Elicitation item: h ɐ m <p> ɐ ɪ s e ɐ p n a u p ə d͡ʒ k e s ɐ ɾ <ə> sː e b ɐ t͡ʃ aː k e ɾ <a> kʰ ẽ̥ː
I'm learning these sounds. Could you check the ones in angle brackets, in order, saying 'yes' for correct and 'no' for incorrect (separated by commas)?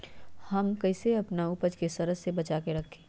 no, yes, no